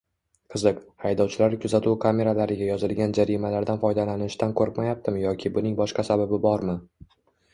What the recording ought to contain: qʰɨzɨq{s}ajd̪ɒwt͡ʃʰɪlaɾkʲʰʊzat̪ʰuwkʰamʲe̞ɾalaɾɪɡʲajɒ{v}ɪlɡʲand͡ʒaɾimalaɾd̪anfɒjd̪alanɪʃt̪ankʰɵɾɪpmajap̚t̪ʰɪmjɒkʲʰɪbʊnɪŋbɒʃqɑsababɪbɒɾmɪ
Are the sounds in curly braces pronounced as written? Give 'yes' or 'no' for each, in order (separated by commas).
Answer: no, no